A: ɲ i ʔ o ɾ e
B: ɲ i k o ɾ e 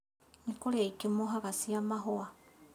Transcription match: B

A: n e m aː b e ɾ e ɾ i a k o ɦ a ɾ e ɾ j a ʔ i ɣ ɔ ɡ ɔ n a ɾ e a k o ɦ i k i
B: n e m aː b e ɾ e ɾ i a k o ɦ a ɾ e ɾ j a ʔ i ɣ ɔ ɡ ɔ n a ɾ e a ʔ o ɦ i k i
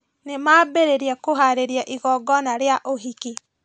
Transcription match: B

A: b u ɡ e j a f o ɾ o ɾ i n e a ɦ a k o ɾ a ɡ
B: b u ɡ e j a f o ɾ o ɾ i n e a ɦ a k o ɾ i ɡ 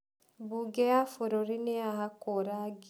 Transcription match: A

